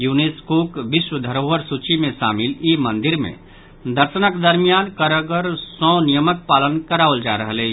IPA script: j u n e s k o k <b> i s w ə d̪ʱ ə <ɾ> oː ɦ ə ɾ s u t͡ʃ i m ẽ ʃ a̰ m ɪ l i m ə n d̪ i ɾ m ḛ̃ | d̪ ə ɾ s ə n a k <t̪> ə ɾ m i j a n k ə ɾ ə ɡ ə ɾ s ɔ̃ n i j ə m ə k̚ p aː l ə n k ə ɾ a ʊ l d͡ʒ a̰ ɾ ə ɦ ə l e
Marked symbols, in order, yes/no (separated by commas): yes, yes, no